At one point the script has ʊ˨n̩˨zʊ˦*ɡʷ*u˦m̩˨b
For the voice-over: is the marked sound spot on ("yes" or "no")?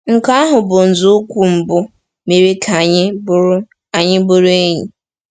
no